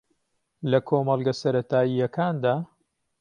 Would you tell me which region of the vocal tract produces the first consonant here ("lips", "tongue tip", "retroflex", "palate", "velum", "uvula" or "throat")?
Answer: tongue tip